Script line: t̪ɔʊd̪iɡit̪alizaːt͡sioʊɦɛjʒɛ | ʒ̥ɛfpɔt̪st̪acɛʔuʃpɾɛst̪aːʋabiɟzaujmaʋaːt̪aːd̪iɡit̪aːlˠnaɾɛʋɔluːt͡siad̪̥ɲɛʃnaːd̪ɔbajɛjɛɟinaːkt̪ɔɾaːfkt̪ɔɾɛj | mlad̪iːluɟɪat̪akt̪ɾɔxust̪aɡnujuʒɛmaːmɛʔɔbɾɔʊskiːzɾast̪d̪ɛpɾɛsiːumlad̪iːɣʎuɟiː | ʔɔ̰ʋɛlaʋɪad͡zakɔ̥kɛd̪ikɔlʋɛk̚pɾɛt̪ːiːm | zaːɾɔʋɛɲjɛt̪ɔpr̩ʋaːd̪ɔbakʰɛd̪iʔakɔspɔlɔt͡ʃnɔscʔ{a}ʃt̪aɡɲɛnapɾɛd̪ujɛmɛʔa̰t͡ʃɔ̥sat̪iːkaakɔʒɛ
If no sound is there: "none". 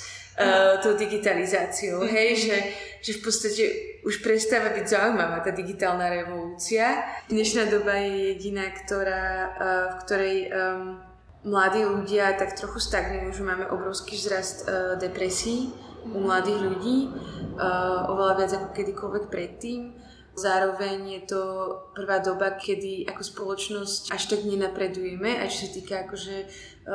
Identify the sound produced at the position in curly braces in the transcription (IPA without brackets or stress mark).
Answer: a